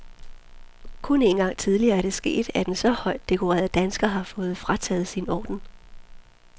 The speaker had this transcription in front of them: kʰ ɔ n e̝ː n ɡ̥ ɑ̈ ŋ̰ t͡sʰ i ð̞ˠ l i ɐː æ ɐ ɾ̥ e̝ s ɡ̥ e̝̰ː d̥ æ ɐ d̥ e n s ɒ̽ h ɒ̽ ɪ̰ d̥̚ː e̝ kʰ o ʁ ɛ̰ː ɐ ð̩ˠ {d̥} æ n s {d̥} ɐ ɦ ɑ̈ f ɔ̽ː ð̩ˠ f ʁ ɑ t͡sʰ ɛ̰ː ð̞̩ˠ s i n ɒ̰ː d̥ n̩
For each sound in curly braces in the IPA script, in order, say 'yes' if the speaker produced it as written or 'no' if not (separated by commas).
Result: yes, no